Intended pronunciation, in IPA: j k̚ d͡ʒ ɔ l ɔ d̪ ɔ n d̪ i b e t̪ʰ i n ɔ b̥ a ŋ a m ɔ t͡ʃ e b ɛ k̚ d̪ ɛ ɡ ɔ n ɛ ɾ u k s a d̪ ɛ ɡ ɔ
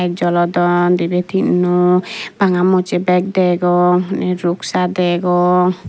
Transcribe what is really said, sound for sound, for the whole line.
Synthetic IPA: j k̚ d͡ʒ ɔ l ɔ d̪ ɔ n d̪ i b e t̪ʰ i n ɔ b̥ a ŋ a m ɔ t͡ʃ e b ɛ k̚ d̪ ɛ ɡ ɔ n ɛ ɾ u k s a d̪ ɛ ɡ ɔ